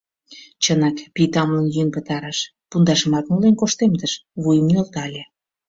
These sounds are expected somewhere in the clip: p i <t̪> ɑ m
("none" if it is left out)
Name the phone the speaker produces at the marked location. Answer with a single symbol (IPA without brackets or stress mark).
t̪